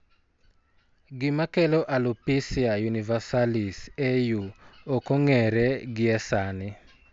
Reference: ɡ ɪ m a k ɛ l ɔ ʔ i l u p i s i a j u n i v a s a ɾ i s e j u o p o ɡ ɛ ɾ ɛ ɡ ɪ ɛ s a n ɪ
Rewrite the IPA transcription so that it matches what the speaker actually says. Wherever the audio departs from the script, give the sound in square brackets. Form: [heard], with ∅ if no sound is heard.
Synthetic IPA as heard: ɡ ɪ m a k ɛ l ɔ ʔ [a] l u p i s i a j u n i v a s a [l] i s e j u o [k] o [ŋ] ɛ ɾ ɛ ɡ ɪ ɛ s a n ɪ